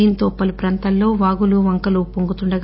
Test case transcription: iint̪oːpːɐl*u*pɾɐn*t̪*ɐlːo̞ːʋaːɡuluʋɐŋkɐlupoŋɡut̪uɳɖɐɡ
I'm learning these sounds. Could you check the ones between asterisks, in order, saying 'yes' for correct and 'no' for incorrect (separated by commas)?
yes, yes